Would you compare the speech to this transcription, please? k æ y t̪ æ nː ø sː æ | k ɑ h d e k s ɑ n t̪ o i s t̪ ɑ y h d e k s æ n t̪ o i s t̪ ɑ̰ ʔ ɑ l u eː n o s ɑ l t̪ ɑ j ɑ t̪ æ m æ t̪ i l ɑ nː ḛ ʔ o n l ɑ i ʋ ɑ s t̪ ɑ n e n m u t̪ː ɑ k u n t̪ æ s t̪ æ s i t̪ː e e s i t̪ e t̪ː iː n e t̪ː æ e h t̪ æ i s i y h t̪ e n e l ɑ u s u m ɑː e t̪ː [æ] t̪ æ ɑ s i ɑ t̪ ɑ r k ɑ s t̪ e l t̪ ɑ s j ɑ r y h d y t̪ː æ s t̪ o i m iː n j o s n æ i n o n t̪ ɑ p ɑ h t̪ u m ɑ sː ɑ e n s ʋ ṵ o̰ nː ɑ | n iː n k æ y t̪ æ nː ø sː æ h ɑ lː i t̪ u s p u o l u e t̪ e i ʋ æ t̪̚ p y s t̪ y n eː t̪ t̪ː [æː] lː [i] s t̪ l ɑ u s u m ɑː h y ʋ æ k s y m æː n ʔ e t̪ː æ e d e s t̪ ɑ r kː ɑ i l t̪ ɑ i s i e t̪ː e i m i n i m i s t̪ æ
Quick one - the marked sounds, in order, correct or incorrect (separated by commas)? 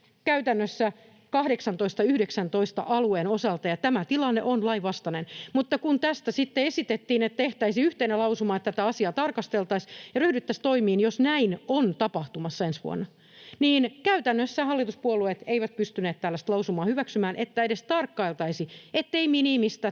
correct, incorrect, incorrect